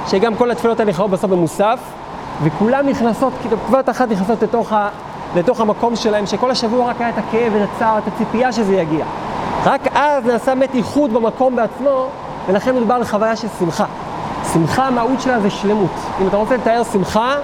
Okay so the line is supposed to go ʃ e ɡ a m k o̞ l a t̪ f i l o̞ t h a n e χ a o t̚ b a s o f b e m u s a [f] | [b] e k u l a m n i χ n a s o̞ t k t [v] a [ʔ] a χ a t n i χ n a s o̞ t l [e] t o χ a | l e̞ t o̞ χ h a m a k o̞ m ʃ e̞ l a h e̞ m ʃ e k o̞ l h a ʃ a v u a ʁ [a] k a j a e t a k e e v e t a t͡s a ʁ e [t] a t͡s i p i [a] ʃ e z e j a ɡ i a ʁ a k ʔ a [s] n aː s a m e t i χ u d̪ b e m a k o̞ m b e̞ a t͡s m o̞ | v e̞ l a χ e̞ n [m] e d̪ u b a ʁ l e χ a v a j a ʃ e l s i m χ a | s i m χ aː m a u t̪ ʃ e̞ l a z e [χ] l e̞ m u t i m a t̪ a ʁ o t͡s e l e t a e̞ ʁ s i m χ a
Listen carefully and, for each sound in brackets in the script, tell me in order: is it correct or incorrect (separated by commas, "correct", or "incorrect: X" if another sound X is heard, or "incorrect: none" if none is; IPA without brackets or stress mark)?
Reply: correct, incorrect: v, correct, incorrect: t, correct, correct, correct, correct, incorrect: z, correct, incorrect: ʃ